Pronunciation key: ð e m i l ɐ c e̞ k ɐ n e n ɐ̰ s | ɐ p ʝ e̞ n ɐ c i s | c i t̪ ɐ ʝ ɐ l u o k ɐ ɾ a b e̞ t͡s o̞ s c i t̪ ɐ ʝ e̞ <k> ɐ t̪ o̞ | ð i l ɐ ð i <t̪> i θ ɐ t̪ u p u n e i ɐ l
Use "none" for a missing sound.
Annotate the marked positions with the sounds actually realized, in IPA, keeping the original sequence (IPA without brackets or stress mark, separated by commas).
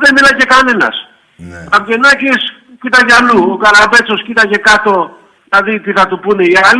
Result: k, t̪